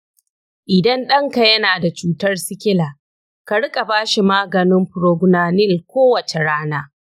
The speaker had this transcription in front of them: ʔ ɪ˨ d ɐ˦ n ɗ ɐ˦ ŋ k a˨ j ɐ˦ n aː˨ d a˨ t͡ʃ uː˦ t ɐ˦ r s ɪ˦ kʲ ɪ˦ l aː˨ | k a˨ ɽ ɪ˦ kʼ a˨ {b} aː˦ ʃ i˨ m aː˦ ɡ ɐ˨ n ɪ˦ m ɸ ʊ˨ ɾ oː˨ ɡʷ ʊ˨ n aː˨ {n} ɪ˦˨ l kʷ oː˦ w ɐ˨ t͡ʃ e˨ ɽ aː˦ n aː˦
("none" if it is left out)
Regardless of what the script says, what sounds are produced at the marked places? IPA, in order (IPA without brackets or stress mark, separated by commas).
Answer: b, n